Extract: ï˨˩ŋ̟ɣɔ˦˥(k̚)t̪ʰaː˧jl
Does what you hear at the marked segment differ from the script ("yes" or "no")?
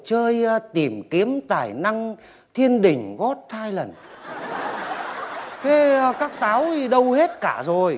yes